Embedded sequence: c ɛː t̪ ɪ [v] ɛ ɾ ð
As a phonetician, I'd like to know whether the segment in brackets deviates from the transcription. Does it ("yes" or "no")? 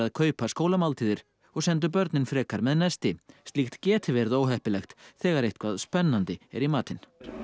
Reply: no